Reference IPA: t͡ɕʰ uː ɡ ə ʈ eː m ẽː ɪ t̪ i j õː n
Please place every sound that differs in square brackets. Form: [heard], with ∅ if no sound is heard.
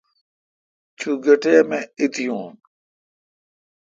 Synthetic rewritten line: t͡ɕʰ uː ɡ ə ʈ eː m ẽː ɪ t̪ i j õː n